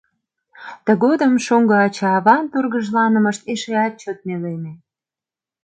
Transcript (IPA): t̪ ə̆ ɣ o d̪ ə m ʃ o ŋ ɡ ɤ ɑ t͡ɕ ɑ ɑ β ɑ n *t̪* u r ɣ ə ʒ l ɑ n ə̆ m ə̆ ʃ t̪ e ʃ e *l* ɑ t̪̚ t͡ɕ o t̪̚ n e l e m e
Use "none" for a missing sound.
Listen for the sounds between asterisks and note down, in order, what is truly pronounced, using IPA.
t̪, none

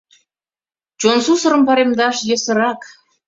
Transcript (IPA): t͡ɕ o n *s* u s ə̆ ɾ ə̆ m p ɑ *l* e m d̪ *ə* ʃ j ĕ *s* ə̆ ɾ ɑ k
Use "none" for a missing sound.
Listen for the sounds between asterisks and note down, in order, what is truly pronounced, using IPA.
s, ɾ, ɑ, s

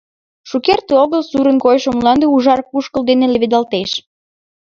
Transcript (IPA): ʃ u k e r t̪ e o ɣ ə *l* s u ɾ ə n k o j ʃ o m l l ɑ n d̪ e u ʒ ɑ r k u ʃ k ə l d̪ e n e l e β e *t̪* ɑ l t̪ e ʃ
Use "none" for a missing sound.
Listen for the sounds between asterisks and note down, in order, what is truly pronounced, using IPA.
l, d̪

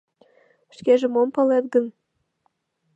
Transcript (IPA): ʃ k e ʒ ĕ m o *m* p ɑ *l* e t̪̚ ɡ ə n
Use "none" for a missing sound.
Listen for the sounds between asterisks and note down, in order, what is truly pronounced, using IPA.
m, l

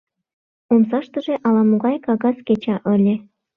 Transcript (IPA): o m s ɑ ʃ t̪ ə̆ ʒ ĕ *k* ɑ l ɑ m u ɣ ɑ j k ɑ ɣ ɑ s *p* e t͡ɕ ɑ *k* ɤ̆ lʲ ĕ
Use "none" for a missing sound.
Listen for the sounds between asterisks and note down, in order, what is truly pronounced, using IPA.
ʔ, k, ʔ

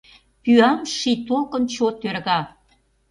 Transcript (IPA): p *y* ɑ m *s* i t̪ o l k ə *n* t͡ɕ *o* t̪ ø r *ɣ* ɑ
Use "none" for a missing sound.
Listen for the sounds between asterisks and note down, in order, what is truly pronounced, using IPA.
y, ʃ, n, o, ɣ

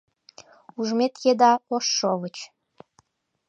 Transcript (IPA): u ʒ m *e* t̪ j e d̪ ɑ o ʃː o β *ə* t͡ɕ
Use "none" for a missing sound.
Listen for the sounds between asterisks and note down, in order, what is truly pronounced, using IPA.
e, ə

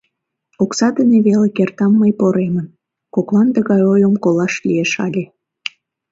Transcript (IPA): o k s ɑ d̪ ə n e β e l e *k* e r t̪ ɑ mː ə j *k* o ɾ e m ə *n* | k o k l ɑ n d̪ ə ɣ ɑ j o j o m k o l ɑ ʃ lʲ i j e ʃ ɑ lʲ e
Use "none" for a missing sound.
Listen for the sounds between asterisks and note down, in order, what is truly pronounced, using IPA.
k, p, n

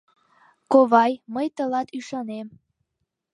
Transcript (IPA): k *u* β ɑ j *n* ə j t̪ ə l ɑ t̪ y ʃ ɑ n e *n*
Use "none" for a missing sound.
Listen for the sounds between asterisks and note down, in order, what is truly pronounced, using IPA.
o, m, m

